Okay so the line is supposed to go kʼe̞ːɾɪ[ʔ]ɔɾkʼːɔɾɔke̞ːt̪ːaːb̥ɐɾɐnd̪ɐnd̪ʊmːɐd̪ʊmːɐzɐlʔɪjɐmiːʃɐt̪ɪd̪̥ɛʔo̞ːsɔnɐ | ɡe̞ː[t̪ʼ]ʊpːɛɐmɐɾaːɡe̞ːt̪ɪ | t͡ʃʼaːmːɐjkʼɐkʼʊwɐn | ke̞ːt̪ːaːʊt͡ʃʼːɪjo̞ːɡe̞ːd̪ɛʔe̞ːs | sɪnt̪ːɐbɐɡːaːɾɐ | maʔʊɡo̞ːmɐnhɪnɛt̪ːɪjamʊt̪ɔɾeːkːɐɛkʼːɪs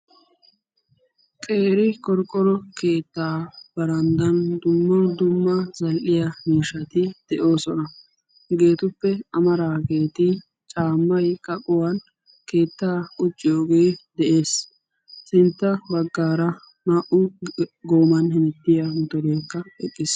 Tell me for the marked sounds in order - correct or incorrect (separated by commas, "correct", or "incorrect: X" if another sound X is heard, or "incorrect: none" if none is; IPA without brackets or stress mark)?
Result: incorrect: k, incorrect: t̪